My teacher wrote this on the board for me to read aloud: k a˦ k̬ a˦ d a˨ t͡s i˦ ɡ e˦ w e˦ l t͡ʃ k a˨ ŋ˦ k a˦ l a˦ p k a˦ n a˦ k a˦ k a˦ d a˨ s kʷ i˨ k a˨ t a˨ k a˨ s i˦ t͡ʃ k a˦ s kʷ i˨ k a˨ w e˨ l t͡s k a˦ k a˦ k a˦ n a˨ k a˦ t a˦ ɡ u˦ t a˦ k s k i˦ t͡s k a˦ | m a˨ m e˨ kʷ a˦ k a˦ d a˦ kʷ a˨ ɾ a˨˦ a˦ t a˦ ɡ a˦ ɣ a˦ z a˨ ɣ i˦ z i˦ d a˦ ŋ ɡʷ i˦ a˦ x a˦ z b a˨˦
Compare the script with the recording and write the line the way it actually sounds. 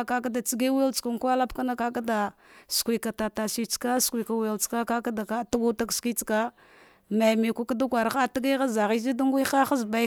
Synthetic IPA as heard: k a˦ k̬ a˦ d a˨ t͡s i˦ ɡ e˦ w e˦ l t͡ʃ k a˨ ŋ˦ k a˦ l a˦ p k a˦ n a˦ k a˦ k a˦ d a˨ s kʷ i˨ k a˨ t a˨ t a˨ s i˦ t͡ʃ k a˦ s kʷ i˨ k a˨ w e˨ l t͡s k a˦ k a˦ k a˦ d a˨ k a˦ t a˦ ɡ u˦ t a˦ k s k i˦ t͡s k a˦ | m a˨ m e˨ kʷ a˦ k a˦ d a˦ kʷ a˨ ɾ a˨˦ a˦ t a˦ ɡ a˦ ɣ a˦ z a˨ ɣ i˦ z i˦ d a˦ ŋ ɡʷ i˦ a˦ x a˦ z b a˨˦

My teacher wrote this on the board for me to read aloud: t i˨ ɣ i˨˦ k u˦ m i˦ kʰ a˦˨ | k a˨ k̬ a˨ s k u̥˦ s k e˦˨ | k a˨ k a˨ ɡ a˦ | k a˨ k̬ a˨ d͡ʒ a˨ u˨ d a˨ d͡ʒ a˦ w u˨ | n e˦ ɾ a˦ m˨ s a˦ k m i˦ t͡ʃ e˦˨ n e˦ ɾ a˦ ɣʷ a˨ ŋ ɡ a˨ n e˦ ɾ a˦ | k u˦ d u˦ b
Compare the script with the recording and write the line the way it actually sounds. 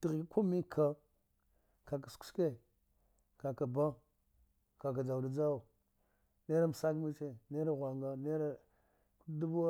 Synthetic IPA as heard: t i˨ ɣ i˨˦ k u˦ m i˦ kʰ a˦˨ | k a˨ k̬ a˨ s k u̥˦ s k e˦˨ | k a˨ k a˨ b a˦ | k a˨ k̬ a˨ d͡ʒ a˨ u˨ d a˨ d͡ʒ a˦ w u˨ | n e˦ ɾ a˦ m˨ s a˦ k m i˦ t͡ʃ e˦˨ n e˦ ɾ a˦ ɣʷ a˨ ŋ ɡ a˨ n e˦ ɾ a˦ | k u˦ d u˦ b

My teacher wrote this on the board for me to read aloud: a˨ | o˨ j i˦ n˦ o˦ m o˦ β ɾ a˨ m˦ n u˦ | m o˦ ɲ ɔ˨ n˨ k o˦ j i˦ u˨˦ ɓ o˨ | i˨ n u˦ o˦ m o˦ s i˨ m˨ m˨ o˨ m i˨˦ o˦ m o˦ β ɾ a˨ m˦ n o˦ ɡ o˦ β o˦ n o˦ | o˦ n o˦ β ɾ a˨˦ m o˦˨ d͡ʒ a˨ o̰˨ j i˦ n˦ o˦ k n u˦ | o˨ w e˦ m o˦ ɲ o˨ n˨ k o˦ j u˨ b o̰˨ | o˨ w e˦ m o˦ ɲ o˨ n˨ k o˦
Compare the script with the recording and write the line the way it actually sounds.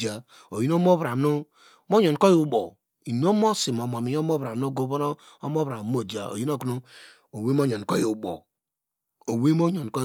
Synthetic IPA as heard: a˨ | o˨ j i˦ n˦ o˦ m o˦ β ɾ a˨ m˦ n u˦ | m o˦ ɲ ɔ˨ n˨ k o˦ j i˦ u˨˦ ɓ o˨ | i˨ n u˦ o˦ m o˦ s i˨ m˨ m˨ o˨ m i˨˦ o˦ m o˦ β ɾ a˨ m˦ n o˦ ɡ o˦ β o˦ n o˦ | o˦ m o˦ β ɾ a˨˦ m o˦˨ d͡ʒ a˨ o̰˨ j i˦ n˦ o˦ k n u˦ | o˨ w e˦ m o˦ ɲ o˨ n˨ k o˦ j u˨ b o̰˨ | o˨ w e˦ m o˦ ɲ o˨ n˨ k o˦

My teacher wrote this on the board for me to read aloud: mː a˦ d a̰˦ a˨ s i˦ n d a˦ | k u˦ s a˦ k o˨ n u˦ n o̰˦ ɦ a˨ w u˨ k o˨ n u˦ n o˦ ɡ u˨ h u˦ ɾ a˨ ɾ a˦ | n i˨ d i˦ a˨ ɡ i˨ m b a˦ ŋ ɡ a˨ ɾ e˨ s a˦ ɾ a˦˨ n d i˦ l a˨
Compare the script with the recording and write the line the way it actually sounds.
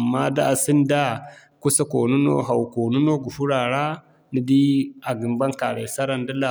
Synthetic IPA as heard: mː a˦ d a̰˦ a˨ s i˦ n d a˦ | k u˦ s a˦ k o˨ n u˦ n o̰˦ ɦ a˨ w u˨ k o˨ n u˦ n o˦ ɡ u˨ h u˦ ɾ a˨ ɾ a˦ | n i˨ d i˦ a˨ ɡ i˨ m b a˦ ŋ k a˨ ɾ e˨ s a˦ ɾ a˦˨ n d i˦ l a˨

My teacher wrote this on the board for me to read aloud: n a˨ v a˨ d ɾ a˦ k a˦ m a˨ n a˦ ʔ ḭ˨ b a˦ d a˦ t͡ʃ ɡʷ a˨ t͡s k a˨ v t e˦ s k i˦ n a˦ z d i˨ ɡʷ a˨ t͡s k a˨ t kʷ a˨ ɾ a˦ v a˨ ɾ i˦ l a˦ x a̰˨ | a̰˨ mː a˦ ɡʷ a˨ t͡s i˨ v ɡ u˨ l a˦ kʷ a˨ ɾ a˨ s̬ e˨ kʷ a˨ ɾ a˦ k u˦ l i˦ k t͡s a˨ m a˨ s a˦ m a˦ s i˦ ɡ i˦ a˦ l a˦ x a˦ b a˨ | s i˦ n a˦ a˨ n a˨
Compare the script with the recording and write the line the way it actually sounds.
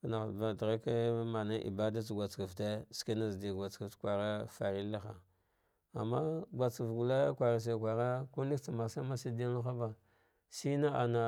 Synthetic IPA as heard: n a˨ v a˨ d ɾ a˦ k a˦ m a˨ n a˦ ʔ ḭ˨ b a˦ d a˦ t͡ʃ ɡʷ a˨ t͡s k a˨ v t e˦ s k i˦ n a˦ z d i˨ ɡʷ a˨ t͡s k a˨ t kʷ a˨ ɾ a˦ f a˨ ɾ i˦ l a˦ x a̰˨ | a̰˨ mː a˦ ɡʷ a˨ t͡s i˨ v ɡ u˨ l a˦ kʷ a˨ ɾ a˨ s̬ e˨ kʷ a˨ ɾ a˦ k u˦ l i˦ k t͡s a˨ m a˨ s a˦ m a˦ s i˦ d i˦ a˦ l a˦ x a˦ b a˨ | s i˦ n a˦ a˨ n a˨

